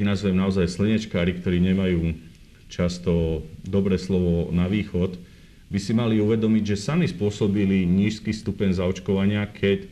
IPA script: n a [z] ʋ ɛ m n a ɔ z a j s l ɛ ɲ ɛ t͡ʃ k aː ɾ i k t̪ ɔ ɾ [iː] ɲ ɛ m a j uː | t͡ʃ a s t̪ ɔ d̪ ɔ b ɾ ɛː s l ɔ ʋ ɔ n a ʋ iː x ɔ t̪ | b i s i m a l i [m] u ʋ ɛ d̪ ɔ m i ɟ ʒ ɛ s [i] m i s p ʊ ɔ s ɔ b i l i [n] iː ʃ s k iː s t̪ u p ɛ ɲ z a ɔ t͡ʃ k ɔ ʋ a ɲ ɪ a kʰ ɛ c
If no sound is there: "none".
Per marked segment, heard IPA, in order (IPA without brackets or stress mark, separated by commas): z, iː, none, a, ɲ